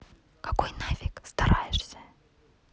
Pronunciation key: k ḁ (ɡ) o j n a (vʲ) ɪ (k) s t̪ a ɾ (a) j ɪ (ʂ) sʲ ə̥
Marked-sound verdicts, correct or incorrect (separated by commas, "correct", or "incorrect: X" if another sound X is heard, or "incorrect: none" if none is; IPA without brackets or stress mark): incorrect: k, correct, correct, correct, correct